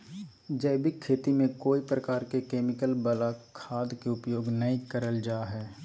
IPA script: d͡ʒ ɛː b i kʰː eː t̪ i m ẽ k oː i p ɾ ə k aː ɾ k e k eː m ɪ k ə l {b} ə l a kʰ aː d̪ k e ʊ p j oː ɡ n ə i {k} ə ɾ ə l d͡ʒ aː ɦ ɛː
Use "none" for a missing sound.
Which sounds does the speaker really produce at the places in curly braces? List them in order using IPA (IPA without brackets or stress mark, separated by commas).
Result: b, k